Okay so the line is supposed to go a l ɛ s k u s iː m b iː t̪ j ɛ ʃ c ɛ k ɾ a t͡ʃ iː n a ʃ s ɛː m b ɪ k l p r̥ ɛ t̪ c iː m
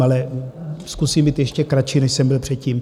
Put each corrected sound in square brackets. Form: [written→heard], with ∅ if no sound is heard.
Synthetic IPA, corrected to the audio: a l ɛ s k u s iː m b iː t̪ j ɛ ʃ c ɛ k ɾ a t͡ʃ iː n [a→ɛ] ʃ s [ɛː→ɛ] m b ɪ [k→∅] l p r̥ ɛ t̪ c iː m